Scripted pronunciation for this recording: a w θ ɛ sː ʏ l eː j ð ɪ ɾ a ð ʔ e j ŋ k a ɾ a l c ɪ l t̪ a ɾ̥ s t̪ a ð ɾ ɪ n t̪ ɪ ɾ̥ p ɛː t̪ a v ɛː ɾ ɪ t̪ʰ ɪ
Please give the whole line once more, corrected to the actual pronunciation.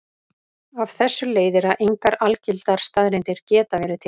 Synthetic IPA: a v θ ɛ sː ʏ l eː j ð ɪ ɾ a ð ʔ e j ŋ k a ɾ a l c ɪ l t̪ a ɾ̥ s t̪ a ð ɾ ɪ n t̪ ɪ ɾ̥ c ɛː t̪ a v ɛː ɾ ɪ t̪ʰ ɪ